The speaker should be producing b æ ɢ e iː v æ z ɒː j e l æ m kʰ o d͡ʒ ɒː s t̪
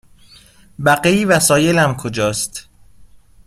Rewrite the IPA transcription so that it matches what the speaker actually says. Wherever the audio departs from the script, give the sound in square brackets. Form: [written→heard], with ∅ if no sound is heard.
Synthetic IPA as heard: b æ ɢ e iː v æ [z→s] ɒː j e l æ m kʰ o d͡ʒ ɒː s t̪